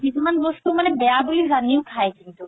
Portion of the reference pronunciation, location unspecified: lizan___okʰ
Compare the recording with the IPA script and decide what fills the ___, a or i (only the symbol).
i